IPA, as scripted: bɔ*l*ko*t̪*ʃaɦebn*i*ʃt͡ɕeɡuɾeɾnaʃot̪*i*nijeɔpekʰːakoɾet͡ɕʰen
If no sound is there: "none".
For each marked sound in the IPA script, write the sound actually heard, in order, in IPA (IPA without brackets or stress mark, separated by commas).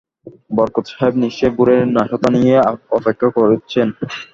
ɾ, t̪, i, a